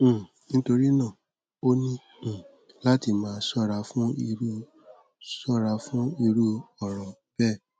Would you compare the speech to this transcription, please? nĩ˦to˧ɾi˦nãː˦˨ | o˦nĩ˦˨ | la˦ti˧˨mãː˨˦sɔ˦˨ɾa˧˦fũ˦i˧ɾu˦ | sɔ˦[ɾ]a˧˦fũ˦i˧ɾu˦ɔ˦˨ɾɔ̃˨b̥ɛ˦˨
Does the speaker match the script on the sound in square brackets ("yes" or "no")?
yes